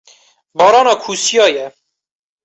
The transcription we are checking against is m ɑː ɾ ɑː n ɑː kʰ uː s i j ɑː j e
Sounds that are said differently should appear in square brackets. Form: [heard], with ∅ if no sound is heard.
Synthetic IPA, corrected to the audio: [b] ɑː ɾ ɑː n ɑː kʰ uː s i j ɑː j [ɛ]